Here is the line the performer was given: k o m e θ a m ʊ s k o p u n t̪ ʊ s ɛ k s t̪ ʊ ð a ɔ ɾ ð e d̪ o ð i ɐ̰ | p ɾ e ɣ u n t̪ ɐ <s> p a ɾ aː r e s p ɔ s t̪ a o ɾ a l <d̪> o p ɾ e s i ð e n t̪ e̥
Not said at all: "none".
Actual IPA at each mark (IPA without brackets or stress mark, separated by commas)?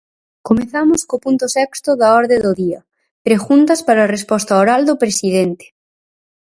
s, d̪